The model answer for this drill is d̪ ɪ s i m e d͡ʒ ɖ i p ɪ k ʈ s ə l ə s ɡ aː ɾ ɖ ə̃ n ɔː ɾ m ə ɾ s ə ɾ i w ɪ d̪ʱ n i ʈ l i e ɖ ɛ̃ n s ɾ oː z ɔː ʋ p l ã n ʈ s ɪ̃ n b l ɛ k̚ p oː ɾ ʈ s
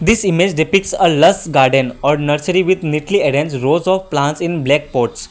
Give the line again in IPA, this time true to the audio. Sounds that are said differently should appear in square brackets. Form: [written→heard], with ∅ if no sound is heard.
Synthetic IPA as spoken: d̪ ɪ s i m e d͡ʒ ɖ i p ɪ k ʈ s ə l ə s ɡ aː ɾ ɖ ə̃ n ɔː ɾ [m→n] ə ɾ s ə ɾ i [w→ʋ] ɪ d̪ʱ n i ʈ l i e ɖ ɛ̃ n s ɾ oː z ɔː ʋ p l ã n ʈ s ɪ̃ n b l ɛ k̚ p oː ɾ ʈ s